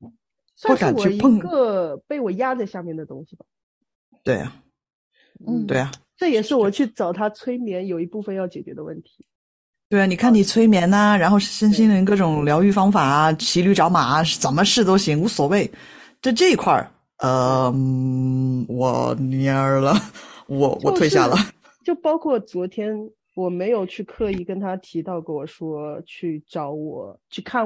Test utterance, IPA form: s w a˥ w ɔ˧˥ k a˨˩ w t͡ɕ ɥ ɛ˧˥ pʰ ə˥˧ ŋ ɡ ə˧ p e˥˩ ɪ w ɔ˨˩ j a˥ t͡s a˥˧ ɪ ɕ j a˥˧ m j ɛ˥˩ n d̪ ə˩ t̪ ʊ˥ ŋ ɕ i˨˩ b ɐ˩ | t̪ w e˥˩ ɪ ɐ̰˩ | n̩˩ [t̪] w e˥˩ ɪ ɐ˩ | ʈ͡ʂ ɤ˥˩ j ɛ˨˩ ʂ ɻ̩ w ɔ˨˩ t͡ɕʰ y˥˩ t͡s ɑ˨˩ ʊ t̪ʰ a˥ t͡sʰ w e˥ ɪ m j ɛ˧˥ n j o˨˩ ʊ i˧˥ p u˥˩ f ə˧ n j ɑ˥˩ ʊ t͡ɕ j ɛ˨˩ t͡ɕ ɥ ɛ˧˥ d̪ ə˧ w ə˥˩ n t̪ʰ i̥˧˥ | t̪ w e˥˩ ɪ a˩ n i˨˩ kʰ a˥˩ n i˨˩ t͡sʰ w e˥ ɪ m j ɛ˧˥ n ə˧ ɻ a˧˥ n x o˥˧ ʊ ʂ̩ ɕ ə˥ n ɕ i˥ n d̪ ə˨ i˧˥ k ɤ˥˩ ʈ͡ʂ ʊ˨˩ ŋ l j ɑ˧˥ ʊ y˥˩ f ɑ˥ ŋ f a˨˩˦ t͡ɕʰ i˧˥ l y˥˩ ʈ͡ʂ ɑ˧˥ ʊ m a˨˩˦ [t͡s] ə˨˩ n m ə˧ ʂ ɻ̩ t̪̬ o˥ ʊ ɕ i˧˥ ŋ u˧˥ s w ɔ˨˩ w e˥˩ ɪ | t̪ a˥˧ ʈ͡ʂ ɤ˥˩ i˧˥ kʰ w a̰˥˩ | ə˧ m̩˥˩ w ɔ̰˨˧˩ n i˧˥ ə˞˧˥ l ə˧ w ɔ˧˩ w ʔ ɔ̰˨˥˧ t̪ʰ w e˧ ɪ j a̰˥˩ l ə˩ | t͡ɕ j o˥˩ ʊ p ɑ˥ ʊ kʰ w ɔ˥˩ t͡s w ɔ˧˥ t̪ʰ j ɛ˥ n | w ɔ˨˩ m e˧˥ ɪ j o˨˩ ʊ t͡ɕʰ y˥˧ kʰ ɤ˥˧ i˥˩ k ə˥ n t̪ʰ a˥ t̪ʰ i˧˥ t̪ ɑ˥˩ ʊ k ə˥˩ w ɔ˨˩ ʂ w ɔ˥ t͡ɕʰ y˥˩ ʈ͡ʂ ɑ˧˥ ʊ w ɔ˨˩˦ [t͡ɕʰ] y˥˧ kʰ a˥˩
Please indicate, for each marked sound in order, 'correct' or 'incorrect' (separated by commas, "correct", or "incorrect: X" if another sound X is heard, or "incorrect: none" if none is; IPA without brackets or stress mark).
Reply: correct, correct, correct